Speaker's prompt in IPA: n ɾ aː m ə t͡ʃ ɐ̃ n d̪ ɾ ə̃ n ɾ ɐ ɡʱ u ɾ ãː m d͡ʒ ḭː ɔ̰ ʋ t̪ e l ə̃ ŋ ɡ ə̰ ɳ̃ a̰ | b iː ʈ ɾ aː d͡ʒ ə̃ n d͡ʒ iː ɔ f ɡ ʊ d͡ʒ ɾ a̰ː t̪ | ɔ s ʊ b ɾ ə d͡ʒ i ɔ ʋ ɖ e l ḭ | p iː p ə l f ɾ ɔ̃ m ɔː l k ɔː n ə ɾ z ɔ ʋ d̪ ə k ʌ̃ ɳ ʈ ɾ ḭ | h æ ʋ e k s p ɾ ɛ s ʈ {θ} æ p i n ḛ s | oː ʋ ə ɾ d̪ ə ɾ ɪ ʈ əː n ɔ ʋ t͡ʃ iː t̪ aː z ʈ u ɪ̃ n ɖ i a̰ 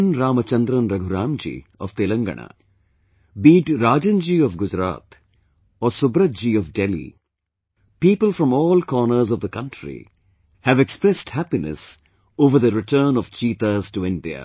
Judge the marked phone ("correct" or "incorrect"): incorrect